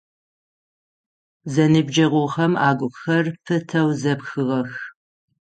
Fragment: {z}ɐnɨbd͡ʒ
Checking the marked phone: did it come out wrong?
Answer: no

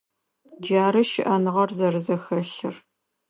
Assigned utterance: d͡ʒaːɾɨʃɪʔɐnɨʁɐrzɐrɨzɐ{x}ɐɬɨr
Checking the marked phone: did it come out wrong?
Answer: no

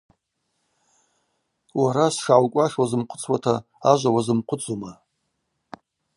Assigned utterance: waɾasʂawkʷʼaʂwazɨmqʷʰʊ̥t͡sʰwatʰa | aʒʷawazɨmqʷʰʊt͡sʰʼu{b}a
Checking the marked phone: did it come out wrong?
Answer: yes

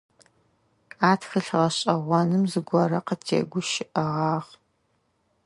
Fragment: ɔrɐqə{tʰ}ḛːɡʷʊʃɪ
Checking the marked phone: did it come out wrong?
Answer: no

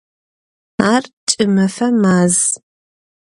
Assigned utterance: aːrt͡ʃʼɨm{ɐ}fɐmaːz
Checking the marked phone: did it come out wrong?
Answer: no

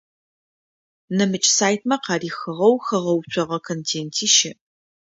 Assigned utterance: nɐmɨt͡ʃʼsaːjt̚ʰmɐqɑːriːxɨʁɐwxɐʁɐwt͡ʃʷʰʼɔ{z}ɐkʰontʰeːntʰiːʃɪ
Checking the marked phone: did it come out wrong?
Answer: yes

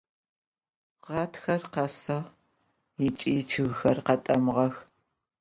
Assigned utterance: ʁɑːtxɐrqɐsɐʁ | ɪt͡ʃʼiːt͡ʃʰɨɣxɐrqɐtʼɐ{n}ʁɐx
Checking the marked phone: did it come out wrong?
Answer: yes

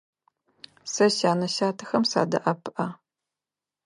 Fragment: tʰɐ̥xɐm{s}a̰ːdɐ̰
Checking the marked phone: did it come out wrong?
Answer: no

